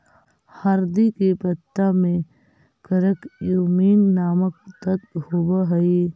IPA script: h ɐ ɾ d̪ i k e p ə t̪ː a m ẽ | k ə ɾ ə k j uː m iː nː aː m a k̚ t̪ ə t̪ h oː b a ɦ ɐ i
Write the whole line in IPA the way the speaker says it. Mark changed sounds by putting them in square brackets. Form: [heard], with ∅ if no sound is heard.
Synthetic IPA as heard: h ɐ ɾ d̪ i k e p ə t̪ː a m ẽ | k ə ɾ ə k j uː m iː nː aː m [ə] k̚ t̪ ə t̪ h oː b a ɦ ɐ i